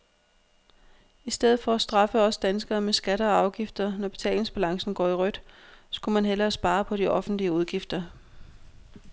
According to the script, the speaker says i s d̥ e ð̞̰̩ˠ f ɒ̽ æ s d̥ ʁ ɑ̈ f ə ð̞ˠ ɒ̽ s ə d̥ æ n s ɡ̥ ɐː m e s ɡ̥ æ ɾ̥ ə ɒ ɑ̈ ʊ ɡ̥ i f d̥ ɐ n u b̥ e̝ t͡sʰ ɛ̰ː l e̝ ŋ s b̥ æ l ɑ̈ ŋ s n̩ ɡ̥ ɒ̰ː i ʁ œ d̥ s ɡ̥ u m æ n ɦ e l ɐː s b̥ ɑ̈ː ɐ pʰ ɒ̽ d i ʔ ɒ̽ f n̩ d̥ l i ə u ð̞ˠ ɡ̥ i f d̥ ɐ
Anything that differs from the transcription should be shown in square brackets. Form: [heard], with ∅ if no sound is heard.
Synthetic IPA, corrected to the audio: i s d̥ e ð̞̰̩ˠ f ɒ̽ æ s d̥ ʁ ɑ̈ f ə [∅] ɒ̽ s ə d̥ æ n s ɡ̥ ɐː m e s ɡ̥ æ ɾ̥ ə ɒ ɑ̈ ʊ ɡ̥ i f d̥ ɐ n [ɒ] b̥ e̝ t͡sʰ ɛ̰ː l e̝ ŋ s b̥ æ l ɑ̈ ŋ s n̩ ɡ̥ ɒ̰ː i ʁ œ d̥ s ɡ̥ u m æ n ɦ e l ɐː s b̥ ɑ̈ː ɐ pʰ ɒ̽ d i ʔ ɒ̽ f n̩ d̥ l i ə u ð̞ˠ ɡ̥ i f d̥ ɐ